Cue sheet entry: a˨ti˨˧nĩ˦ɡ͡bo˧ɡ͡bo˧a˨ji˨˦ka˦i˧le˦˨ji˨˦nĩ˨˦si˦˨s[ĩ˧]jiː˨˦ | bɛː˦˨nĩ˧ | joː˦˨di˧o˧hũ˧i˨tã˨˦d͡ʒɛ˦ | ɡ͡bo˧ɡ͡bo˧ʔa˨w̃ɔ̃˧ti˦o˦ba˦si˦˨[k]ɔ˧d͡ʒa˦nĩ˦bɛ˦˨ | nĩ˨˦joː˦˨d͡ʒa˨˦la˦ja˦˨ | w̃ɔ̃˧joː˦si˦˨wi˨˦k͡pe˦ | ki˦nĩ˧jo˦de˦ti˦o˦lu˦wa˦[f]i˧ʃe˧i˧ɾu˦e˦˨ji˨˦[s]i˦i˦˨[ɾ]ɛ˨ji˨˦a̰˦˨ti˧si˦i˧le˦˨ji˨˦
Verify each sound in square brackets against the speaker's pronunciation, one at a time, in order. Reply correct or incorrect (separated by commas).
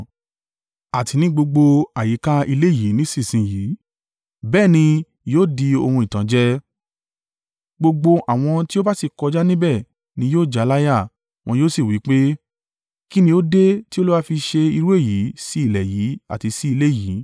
correct, correct, correct, correct, incorrect